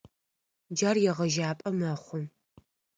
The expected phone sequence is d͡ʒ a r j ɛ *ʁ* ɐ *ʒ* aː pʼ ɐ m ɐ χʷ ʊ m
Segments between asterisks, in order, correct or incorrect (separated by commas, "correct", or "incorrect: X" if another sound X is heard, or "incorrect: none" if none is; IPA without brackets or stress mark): correct, correct